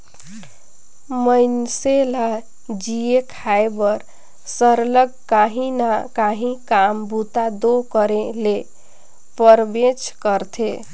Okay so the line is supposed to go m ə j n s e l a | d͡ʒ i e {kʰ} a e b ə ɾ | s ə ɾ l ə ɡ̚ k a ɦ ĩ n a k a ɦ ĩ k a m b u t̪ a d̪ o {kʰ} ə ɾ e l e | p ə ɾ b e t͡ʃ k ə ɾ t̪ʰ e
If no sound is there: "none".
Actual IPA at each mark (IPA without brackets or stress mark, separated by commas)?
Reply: kʰ, k